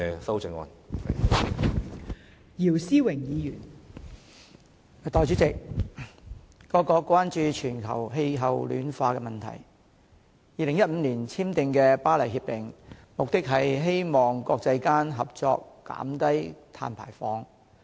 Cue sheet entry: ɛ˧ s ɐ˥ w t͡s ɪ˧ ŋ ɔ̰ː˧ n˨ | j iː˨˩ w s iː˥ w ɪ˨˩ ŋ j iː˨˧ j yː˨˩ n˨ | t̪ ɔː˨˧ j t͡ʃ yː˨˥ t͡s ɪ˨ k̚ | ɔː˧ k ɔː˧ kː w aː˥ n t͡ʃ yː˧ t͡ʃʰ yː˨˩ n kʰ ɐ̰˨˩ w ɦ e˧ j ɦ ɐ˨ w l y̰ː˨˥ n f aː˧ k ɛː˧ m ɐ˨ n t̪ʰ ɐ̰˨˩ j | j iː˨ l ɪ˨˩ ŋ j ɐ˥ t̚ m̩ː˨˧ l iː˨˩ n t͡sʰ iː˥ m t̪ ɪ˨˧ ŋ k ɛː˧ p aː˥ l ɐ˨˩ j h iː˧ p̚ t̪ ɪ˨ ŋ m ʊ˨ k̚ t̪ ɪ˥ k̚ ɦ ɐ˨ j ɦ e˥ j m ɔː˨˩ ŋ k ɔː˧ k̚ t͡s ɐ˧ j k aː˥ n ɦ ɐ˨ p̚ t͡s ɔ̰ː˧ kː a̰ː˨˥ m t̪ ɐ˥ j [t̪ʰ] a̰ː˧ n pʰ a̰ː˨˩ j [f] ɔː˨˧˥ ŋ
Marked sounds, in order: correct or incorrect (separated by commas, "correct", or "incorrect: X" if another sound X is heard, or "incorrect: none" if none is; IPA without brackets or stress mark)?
correct, correct